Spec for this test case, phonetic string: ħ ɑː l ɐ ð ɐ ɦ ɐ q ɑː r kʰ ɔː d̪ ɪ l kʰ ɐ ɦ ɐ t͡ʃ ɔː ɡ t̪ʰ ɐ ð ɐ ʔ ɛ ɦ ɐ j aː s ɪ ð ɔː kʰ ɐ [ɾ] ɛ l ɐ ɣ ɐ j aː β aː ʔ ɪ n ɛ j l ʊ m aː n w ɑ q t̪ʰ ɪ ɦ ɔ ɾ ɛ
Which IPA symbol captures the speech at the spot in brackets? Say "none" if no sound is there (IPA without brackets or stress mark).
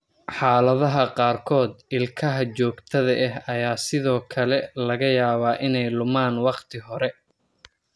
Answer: l